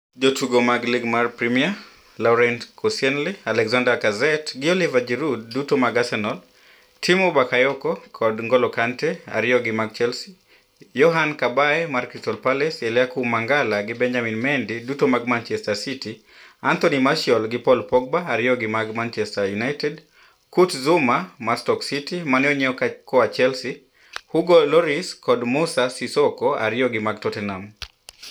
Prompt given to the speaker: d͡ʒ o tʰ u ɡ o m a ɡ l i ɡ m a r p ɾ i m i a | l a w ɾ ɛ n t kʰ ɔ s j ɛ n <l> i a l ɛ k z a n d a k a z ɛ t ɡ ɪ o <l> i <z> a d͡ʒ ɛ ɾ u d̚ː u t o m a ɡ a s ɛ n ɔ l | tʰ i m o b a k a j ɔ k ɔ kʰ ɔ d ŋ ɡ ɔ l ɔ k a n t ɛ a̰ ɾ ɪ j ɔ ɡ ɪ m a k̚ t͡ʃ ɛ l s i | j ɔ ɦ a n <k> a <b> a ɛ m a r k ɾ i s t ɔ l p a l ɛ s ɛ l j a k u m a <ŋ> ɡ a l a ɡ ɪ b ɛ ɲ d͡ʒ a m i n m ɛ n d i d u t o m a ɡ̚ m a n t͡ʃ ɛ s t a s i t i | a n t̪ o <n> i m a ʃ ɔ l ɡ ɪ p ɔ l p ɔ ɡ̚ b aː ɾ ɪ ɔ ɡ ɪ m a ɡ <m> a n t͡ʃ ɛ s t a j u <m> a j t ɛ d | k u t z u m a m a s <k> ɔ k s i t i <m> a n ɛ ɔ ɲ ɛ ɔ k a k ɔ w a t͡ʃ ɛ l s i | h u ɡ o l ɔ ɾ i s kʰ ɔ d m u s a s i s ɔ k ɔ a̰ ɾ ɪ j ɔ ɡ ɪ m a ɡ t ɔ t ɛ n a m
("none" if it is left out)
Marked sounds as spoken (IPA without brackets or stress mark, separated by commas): l, l, v, k, b, ŋ, n, m, n, t, m